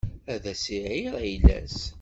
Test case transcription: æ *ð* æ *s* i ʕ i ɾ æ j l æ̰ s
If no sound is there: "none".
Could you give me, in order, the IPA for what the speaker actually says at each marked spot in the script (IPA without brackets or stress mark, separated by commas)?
ð, s